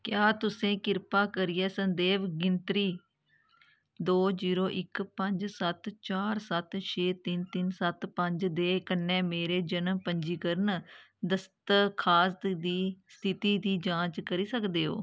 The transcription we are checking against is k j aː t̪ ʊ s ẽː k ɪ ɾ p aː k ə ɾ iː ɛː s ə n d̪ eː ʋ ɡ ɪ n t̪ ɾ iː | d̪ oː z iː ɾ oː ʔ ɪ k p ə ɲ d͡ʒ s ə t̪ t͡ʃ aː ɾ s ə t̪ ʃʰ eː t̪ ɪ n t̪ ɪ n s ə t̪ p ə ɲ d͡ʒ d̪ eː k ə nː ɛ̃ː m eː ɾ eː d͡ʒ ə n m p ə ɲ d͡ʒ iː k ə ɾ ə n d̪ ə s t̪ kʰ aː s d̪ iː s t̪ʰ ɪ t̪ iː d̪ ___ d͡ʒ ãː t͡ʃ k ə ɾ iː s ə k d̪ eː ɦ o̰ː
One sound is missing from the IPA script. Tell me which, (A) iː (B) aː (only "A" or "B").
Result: A